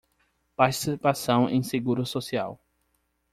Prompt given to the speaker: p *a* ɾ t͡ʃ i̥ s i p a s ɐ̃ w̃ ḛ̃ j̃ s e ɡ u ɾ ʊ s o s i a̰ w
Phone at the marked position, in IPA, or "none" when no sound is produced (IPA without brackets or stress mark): a